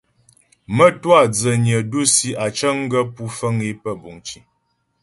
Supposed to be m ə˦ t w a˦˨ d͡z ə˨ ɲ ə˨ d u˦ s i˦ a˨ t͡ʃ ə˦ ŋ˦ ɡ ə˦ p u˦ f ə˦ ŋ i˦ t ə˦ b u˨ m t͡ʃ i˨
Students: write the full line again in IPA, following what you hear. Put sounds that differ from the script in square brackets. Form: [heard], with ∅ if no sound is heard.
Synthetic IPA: m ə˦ t w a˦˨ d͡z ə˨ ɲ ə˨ d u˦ s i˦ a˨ t͡ʃ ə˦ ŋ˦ ɡ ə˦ p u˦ f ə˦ ŋ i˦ [p] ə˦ b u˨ [ŋ] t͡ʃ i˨